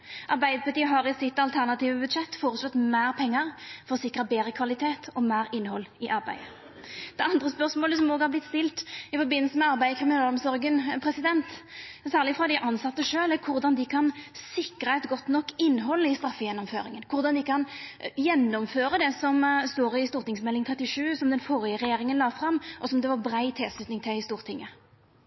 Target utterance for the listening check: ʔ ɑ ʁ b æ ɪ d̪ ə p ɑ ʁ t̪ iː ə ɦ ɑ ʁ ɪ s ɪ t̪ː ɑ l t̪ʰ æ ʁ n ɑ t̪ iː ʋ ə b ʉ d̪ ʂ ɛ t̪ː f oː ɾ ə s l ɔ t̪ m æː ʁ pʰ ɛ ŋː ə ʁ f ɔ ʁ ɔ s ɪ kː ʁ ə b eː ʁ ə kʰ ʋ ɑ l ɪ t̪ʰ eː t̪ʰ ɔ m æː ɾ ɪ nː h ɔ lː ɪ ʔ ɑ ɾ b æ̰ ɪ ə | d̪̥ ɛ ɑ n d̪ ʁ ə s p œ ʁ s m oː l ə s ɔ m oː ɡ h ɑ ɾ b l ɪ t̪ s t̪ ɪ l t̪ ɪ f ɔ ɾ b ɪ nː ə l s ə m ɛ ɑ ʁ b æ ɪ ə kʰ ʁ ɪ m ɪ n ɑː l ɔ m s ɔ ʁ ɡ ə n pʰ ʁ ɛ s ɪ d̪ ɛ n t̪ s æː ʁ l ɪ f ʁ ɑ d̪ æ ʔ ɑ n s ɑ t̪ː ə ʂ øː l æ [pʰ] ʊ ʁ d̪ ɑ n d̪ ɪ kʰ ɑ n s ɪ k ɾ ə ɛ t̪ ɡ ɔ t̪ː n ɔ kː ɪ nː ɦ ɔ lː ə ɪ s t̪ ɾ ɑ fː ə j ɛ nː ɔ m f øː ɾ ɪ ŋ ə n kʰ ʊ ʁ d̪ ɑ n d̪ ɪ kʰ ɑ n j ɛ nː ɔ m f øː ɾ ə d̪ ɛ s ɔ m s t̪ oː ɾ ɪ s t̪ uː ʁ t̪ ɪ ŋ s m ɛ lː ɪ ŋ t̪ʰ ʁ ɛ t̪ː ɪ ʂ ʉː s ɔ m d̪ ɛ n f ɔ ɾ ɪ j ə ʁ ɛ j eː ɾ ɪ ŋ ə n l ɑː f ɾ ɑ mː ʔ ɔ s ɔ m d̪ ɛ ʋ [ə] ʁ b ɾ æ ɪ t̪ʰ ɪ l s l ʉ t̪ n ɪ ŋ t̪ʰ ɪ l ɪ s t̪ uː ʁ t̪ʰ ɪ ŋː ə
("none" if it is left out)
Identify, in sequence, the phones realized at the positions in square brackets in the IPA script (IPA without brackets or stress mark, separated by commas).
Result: kʰ, ɑ